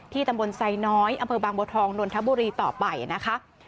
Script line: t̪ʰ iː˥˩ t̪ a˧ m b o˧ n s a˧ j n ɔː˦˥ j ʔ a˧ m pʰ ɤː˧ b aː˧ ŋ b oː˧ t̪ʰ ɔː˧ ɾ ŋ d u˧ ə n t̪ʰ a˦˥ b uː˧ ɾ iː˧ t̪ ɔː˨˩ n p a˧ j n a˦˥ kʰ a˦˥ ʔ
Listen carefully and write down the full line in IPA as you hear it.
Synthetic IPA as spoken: t̪ʰ iː˥˩ t̪ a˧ m b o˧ n s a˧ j n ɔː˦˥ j ʔ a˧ m pʰ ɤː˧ b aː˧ ŋ b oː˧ t̪ʰ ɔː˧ ŋ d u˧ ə n t̪ʰ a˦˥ b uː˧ ɾ iː˧ t̪ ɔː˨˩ p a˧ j n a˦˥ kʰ a˦˥ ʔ